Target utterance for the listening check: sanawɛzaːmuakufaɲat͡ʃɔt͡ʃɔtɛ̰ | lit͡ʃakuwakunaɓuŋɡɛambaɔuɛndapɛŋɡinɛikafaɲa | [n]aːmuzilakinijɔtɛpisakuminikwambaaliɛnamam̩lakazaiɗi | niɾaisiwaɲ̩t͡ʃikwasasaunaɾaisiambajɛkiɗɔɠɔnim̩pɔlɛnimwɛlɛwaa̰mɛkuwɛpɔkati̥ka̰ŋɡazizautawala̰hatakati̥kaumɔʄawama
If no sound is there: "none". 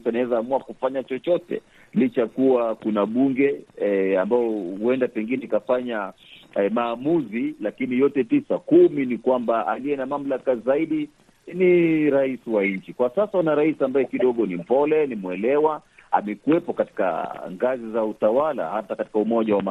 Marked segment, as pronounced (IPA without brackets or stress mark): m